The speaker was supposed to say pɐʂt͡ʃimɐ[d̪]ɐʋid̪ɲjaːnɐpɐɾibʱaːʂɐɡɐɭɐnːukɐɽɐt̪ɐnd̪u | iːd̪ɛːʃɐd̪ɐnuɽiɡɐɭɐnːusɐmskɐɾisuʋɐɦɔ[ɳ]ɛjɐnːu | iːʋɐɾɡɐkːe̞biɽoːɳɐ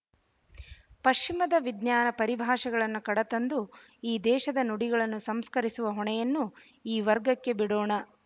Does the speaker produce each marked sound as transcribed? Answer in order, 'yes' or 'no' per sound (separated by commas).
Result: yes, yes